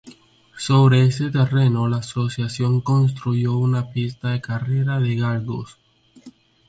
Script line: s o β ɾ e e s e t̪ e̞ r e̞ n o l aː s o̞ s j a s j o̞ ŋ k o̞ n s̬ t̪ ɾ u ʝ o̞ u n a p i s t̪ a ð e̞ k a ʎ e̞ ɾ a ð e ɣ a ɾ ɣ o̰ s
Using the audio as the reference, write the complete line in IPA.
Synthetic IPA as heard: s o β ɾ e e s e t̪ e̞ r e̞ n o l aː s o̞ s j a s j o̞ ŋ k o̞ n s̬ t̪ ɾ u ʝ o̞ u n a p i s t̪ a ð e̞ k a r e̞ ɾ a ð e ɣ a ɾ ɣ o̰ s